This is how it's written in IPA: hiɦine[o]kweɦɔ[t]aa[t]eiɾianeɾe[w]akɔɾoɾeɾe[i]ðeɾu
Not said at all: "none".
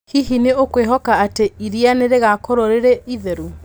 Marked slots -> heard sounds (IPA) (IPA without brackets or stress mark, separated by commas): o, k, t, ɣ, i